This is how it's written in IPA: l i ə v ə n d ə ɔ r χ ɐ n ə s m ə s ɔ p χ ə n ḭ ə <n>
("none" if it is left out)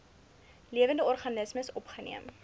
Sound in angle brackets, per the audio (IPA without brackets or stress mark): m